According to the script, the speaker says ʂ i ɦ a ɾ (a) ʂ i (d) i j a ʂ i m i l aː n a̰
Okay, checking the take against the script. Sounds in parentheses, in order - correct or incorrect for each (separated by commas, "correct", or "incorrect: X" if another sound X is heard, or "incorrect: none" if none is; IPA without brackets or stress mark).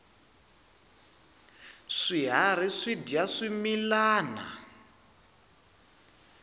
incorrect: i, correct